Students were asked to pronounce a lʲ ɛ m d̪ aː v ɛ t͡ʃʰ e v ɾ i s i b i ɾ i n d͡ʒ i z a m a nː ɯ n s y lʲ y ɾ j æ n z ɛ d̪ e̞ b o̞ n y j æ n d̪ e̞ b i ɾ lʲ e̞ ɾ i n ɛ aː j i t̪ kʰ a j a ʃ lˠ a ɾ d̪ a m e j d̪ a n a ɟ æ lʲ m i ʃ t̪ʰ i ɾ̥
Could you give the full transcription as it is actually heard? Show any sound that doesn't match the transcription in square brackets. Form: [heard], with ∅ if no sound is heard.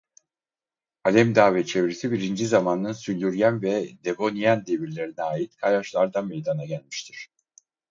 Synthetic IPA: a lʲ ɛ m d̪ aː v ɛ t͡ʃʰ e v ɾ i s i b i ɾ i n d͡ʒ i z a m a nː ɯ n s y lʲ y ɾ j æ n [v] ɛ d̪ e̞ b o̞ n [i] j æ n d̪ e̞ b i ɾ lʲ e̞ ɾ i n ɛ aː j i t̪ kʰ a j a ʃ lˠ a ɾ d̪ a m e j d̪ a n a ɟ æ lʲ m i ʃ t̪ʰ i ɾ̥